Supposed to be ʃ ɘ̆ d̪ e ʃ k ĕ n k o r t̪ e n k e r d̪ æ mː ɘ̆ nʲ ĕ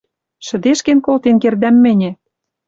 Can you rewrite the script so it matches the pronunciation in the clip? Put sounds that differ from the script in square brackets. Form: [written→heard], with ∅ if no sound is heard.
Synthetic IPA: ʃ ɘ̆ d̪ e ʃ k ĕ n k o [r→l] t̪ e n k e r d̪ æ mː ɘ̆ nʲ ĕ